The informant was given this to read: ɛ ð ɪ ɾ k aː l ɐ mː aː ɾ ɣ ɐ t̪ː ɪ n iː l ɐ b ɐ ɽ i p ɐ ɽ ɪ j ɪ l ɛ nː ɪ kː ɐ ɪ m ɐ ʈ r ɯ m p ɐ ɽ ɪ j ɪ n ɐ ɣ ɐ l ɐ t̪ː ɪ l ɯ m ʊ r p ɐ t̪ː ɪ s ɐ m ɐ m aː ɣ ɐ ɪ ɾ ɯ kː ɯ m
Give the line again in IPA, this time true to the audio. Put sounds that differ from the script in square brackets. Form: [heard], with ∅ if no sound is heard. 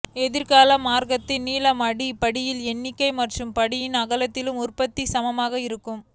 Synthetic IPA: ɛ ð ɪ ɾ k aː l ɐ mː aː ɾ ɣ ɐ t̪ː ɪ n iː l ɐ [m] ɐ ɽ i p ɐ ɽ ɪ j ɪ l ɛ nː ɪ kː ɐ ɪ m ɐ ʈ r ɯ m p ɐ ɽ ɪ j ɪ n ɐ ɣ ɐ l ɐ t̪ː ɪ l ɯ m ʊ r p ɐ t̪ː [i] s ɐ m ɐ m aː ɣ ɐ ɪ ɾ ɯ kː ɯ m